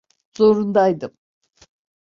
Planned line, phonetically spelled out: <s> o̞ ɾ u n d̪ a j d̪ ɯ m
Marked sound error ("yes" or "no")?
yes